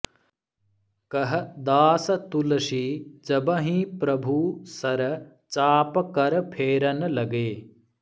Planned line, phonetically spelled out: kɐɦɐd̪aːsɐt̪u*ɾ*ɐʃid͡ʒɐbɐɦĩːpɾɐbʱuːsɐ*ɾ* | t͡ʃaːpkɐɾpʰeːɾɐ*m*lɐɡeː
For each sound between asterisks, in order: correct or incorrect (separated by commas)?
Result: incorrect, correct, incorrect